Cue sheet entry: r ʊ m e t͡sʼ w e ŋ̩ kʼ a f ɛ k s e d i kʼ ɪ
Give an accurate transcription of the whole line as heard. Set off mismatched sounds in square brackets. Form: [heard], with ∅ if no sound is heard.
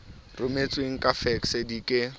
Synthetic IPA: r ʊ m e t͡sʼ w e ŋ̩ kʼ a f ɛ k s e d i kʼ ɪ